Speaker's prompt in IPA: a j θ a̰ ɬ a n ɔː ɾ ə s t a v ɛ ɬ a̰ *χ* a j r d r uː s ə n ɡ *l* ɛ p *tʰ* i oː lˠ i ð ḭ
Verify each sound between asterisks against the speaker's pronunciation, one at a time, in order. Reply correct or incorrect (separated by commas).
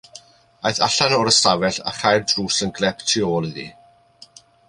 correct, correct, correct